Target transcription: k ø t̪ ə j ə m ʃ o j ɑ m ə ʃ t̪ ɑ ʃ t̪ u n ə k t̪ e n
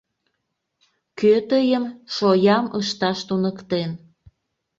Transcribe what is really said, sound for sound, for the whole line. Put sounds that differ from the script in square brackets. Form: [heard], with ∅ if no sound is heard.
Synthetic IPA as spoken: k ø t̪ ə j ə m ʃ o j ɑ m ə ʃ t̪ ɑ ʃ t̪ u n ə k t̪ e n